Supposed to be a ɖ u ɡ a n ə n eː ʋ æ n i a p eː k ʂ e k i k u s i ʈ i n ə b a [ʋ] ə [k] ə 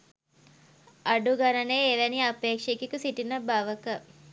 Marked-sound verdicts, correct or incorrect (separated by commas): correct, correct